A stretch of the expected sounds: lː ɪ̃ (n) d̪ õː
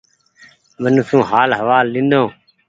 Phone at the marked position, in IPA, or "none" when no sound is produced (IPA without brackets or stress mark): n